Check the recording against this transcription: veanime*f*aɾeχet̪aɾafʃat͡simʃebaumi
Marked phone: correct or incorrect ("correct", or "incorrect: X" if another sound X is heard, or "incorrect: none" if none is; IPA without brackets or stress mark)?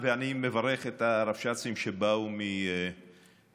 incorrect: v